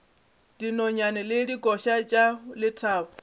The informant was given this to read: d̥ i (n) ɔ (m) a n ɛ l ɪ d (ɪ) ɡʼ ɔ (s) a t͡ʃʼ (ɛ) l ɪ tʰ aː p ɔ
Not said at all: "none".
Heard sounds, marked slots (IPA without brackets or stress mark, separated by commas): n, ɲ, i, ʃ, a